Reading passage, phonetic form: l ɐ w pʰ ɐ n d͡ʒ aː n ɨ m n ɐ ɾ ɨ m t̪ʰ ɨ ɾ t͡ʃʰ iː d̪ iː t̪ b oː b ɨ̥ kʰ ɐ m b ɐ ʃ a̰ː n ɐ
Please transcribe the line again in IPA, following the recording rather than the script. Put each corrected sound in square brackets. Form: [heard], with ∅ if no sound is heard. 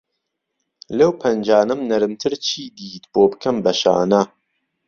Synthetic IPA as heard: l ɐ w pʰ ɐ n d͡ʒ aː n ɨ m n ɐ ɾ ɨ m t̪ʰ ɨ ɾ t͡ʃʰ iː d̪ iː t̪ b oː b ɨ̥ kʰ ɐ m b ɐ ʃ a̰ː n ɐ